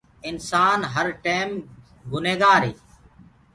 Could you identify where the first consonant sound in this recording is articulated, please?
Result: alveolar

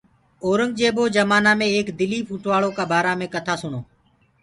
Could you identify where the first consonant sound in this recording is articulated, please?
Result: alveolar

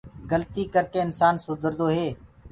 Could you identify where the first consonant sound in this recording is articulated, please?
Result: velar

